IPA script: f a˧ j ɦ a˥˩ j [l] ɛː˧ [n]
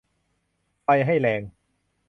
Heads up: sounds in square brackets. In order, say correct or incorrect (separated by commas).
correct, incorrect